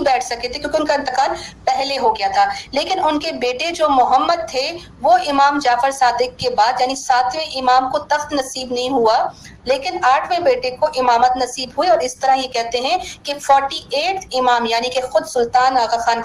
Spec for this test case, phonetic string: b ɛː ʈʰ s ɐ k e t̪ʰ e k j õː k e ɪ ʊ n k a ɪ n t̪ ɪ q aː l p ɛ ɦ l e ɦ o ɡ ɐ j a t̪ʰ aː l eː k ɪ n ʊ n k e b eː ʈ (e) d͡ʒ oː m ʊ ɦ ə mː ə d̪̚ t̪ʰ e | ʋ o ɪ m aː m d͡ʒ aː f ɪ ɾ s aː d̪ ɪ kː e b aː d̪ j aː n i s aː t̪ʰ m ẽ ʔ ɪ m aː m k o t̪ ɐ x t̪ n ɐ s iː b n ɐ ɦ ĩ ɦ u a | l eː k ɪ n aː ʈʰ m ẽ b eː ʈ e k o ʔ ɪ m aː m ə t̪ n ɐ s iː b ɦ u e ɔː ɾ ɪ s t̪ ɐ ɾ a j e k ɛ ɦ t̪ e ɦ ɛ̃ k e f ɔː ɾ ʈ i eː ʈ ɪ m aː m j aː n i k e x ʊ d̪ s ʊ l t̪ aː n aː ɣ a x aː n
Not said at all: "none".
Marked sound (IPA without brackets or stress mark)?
e